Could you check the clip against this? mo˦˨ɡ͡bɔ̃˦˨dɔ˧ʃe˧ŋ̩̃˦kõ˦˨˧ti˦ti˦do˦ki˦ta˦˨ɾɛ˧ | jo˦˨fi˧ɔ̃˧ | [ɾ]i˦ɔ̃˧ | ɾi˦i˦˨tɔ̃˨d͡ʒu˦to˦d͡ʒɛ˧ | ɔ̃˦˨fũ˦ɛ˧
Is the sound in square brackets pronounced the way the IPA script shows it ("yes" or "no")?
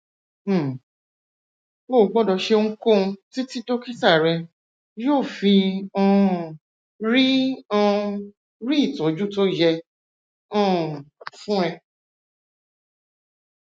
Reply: yes